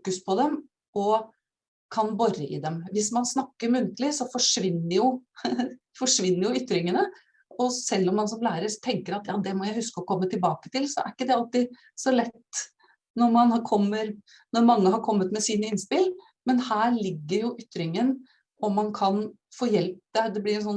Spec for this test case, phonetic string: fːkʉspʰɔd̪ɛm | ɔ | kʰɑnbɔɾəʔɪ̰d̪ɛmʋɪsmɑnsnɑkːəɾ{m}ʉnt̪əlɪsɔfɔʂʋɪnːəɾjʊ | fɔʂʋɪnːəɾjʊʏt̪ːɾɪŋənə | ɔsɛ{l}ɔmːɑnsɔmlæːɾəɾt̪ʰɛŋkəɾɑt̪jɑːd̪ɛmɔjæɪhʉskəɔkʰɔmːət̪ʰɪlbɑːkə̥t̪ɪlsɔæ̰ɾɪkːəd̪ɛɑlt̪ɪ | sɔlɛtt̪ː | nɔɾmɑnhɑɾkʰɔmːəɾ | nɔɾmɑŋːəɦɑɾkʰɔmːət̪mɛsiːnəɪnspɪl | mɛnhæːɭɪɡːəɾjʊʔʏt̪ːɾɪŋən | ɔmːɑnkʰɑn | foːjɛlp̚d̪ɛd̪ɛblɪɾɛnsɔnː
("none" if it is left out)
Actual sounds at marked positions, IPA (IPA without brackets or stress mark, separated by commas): m, lː